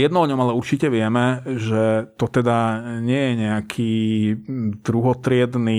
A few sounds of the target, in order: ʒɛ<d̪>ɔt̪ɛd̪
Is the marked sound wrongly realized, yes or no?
yes